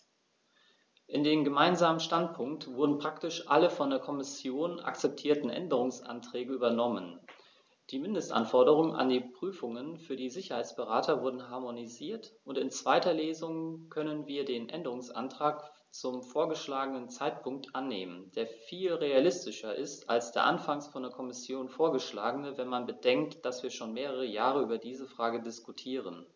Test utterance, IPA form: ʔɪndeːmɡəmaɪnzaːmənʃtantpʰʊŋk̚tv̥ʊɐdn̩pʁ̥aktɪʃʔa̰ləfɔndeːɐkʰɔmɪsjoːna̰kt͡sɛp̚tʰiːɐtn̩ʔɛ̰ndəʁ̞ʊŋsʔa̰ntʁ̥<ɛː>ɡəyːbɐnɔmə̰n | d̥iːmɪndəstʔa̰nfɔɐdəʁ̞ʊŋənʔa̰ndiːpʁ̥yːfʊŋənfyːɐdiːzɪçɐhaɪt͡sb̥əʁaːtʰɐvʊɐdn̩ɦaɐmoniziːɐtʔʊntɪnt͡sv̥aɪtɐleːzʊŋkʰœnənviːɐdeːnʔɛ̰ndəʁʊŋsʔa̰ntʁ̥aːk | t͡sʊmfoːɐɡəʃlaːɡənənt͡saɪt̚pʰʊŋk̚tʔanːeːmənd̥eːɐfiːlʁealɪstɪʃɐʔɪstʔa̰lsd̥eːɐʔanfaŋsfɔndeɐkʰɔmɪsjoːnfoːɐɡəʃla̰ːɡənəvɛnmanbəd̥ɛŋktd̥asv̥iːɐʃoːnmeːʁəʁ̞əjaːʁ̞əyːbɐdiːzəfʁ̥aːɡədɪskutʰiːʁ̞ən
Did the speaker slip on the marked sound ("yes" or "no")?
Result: no